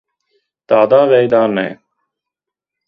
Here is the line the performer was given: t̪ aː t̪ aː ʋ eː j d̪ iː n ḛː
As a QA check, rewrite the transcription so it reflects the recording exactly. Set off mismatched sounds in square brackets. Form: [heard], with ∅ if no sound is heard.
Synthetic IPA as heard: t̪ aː [d̪] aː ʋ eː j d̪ [aː] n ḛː

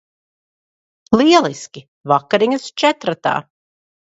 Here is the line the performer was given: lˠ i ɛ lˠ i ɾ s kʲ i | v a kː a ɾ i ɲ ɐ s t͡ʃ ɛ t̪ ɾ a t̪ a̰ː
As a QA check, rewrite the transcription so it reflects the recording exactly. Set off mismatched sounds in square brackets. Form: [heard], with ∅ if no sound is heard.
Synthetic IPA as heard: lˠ i ɛ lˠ i [∅] s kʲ i | v a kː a ɾ i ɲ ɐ s t͡ʃ ɛ t̪ ɾ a t̪ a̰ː

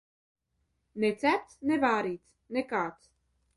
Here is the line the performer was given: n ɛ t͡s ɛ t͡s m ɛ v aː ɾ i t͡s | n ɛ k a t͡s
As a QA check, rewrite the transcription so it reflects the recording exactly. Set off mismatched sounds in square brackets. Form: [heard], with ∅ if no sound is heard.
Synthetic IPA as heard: n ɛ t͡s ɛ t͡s [n] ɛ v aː ɾ i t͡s | n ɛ k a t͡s

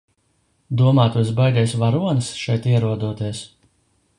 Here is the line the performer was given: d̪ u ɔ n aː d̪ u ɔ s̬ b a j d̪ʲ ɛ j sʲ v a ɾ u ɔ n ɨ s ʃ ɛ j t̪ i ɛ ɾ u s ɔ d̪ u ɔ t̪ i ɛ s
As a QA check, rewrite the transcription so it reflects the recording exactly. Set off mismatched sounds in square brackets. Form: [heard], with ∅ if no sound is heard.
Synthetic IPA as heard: d̪ u ɔ [m] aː [t̪] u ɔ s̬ b a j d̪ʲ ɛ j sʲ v a ɾ u ɔ n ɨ s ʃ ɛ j t̪ i ɛ ɾ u [∅] ɔ d̪ u ɔ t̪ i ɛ s

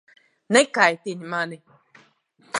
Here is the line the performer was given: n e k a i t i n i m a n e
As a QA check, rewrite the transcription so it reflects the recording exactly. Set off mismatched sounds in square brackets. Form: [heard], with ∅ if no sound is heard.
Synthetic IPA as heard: n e k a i t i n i m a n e

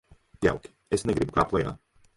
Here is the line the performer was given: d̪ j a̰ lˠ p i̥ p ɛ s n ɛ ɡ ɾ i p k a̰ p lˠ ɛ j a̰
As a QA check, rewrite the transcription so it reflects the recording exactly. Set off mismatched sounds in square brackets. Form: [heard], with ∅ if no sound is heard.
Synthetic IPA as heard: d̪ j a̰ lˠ [k] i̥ [∅] ɛ s n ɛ ɡ ɾ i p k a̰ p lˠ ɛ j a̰

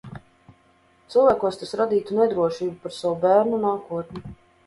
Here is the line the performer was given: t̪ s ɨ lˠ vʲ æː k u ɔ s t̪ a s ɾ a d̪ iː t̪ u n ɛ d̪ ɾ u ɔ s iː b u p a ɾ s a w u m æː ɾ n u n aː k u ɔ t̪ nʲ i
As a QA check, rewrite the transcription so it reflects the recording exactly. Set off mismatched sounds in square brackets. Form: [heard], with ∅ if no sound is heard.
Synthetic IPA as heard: t̪ s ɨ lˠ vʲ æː k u ɔ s t̪ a s ɾ a d̪ iː t̪ u n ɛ d̪ ɾ u ɔ [ʃ] iː b u p a ɾ s a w u [b] æː ɾ n u n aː k u ɔ t̪ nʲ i

